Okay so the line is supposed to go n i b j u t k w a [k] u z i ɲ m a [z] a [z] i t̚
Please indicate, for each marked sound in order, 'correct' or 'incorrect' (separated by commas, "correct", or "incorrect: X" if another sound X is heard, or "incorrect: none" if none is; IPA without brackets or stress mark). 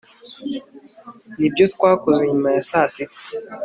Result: correct, incorrect: s, incorrect: s